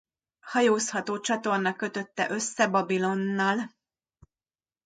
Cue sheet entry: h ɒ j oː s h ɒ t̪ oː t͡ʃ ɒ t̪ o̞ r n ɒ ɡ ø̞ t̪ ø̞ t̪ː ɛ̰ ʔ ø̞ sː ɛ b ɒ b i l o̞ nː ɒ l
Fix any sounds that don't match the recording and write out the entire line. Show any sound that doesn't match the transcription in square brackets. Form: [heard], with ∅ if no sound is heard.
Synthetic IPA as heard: h ɒ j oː s h ɒ t̪ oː t͡ʃ ɒ t̪ o̞ r n ɒ [k] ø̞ t̪ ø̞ t̪ː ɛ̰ ʔ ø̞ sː ɛ b ɒ b i l o̞ nː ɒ l

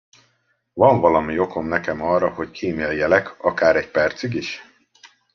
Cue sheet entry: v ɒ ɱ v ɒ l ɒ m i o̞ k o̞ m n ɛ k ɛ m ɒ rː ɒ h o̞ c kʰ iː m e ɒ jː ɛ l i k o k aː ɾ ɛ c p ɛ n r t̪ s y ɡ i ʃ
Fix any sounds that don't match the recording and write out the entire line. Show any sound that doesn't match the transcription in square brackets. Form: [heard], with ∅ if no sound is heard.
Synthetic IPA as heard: v ɒ ɱ v ɒ l ɒ m i o̞ k o̞ m n ɛ k ɛ m ɒ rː ɒ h o̞ c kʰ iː m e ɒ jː ɛ l [ɛ] k [ɒ] k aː ɾ ɛ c p ɛ [∅] r t̪ s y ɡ i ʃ

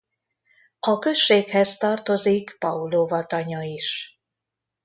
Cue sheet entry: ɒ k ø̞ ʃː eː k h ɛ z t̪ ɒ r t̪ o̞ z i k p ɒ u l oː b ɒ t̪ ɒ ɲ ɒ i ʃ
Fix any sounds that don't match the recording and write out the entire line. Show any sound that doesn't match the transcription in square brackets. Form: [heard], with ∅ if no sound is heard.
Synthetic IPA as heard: ɒ k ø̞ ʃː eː k h ɛ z t̪ ɒ r t̪ o̞ z i k p ɒ u l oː [v] ɒ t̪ ɒ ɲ ɒ i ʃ

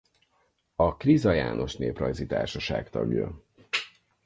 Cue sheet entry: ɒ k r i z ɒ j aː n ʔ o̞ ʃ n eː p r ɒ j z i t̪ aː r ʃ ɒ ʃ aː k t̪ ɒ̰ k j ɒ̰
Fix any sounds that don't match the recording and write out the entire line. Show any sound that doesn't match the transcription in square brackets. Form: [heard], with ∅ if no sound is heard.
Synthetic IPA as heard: ɒ k r i z ɒ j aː n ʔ o̞ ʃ n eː p r ɒ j z i t̪ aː r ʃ ɒ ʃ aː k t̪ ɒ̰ [ɡ] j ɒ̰

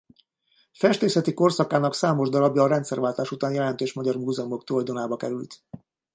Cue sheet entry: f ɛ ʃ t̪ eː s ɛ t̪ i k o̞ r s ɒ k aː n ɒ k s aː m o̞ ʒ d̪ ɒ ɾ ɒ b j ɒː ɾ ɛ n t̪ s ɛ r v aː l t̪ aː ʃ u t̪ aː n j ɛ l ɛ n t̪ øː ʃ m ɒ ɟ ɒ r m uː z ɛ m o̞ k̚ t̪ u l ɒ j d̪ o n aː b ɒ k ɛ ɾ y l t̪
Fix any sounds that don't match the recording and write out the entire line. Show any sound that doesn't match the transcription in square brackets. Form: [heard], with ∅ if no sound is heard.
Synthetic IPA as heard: f ɛ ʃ t̪ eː s ɛ t̪ i k o̞ r s ɒ k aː n ɒ k s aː m o̞ ʒ d̪ ɒ ɾ ɒ b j ɒː ɾ ɛ n t̪ s ɛ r v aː l t̪ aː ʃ u t̪ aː n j ɛ l ɛ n t̪ øː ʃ m ɒ ɟ ɒ r m uː z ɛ m o̞ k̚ t̪ u l ɒ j d̪ o n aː b ɒ k ɛ ɾ y l t̪

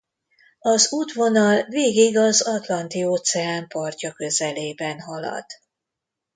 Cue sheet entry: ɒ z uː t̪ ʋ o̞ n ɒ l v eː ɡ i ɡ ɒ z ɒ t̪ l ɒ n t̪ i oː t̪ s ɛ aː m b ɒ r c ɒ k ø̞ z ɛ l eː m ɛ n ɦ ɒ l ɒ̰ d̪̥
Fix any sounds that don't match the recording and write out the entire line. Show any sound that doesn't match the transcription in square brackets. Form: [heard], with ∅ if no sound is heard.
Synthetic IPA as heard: ɒ z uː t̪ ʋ o̞ n ɒ l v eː ɡ i ɡ ɒ z ɒ t̪ l ɒ n t̪ i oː t̪ s ɛ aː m [p] ɒ r c ɒ k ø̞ z ɛ l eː [b] ɛ n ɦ ɒ l ɒ̰ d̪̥

